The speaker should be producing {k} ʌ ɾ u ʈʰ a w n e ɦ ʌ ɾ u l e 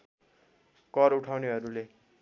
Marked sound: correct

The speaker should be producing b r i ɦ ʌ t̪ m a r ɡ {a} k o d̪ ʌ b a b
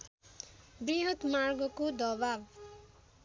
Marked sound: incorrect: ʌ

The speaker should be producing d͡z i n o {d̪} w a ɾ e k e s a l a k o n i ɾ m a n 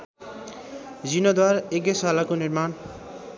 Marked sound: correct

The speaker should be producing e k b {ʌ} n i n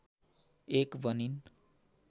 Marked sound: correct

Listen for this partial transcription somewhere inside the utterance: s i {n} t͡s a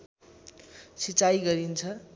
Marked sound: incorrect: none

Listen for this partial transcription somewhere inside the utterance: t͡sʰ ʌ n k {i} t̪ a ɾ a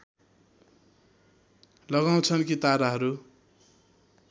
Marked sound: correct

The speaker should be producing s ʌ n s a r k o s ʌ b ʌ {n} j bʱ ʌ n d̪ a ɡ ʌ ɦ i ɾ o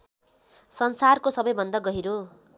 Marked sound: incorrect: none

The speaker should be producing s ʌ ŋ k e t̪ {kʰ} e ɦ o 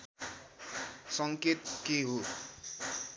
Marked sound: incorrect: k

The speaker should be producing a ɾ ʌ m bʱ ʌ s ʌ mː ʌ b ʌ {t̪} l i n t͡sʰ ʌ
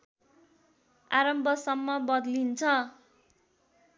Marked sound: incorrect: d̪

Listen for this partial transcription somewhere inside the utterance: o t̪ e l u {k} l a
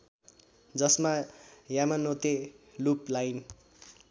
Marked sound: incorrect: p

